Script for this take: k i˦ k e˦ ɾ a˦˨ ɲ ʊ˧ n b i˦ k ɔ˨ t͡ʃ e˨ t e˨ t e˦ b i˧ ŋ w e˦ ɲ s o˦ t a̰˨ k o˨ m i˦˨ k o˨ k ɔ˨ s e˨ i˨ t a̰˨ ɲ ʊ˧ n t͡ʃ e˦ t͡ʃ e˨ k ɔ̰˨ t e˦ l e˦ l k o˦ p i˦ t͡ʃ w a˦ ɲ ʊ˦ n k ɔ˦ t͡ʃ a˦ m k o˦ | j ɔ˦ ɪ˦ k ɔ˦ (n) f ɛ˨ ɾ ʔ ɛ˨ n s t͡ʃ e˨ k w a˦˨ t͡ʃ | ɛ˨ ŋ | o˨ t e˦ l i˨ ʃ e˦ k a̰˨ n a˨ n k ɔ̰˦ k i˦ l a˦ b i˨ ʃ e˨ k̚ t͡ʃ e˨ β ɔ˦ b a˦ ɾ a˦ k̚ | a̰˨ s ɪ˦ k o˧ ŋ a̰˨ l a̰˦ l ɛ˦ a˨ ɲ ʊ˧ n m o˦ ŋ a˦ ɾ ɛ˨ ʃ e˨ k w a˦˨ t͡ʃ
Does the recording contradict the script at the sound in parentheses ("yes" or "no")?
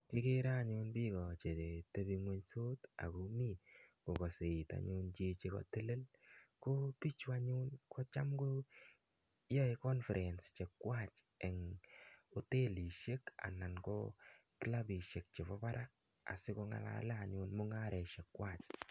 no